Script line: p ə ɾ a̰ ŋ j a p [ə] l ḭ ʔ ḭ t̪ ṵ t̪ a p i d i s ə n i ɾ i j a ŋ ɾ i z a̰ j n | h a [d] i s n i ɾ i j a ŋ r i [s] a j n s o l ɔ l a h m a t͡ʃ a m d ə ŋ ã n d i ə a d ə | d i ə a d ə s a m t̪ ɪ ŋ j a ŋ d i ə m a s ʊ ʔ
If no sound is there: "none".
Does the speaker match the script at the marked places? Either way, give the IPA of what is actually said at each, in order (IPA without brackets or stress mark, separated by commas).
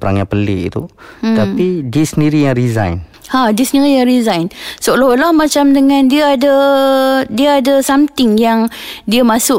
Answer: ə, d, z